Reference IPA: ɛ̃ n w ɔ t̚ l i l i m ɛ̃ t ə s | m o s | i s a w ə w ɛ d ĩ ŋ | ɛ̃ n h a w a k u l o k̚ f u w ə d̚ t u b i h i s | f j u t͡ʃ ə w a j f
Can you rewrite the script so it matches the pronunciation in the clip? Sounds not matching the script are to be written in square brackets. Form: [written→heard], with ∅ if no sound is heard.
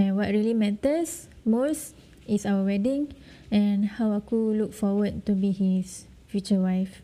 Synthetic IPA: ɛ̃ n w ɔ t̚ [l→ɹ] i l i m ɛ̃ t ə s | m o s | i s a w ə w ɛ d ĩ ŋ | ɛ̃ n h a w a k u l [o→u] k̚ f [u→ɔ] w ə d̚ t u b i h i s | f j u t͡ʃ ə w a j f